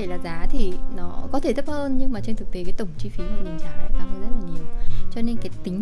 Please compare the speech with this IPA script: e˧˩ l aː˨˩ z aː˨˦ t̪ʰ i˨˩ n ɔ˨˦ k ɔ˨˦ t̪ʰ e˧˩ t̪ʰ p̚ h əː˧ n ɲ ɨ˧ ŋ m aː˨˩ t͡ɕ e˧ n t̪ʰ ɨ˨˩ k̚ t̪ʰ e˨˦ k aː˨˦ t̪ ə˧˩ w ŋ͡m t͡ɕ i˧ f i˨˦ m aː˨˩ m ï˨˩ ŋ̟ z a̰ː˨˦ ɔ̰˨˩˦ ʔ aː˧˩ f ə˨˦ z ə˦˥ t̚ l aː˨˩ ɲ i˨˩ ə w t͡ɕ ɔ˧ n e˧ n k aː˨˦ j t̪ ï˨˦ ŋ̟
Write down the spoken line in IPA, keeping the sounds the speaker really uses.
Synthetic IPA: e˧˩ l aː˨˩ z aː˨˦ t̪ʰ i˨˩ n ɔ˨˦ k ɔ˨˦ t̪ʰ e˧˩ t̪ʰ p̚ h əː˧ n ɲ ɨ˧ ŋ m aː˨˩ t͡ɕ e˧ n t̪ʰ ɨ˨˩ k̚ t̪ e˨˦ k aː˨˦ t̪ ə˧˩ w ŋ͡m t͡ɕ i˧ f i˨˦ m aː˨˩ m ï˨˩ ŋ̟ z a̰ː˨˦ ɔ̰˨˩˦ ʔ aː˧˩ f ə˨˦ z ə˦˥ t̚ l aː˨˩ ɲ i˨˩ ə w t͡ɕ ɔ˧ n e˧ n k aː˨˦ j t̪ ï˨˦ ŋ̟

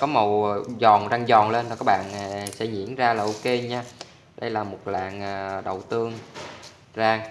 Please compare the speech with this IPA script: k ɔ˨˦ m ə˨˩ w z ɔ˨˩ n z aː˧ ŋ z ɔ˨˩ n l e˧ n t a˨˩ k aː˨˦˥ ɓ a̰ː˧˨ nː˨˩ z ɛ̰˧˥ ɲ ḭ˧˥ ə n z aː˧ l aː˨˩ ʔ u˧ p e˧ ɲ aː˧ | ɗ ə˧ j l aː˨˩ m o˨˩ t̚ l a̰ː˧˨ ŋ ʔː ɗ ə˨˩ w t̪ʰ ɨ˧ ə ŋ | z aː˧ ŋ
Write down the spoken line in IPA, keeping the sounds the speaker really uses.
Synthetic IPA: k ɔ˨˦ m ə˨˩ w z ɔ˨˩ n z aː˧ ŋ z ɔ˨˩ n l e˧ n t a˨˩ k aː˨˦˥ ɓ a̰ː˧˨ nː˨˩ s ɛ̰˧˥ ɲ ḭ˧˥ ə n z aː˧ l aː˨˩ ʔ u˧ k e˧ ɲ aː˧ | ɗ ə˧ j l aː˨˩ m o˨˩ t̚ l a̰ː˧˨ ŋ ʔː ɗ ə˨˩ w t̪ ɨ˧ ə ŋ | z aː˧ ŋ

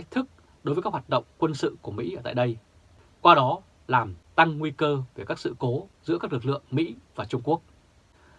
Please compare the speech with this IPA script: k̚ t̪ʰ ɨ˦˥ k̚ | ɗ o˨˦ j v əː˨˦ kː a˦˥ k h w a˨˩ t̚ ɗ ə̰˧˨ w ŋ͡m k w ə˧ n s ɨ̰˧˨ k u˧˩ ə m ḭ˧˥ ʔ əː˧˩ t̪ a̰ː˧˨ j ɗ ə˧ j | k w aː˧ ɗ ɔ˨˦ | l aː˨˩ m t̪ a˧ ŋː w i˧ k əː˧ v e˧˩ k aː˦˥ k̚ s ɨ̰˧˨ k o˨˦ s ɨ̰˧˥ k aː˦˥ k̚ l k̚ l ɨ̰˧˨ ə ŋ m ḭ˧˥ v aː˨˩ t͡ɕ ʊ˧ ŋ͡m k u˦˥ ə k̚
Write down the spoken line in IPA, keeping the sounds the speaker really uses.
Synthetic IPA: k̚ t̪ʰ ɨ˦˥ k̚ | ɗ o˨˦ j v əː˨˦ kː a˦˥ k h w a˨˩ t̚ ɗ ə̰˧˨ w ŋ͡m k w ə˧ n s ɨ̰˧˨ k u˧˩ ə m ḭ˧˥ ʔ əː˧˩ t̪ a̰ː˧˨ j ɗ ə˧ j | k w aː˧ ɗ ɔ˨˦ | l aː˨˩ m t̪ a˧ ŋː w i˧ k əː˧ v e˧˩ k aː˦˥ k̚ s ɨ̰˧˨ k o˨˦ z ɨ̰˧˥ k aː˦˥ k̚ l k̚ l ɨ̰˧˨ ə ŋ m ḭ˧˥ v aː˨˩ t͡ɕ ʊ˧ ŋ͡m k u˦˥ ə k̚

